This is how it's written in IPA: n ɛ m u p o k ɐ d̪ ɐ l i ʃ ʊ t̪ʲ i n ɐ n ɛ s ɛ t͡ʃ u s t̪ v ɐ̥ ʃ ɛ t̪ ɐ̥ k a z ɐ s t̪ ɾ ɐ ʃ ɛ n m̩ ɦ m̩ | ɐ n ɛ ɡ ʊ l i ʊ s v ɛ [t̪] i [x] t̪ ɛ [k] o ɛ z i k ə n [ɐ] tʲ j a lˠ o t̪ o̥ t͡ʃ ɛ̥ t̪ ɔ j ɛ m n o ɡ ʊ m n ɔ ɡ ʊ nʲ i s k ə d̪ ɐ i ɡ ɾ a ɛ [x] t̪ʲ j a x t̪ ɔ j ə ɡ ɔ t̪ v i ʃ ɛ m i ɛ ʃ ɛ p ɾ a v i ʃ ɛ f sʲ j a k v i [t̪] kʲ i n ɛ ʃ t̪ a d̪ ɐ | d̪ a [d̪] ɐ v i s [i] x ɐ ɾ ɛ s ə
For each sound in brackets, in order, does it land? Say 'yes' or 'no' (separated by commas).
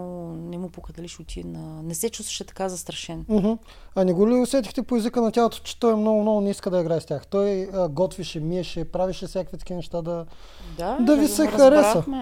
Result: yes, yes, no, yes, no, yes, yes, no